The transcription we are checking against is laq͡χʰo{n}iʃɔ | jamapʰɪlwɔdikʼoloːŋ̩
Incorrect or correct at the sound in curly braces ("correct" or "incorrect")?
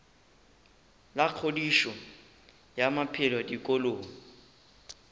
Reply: incorrect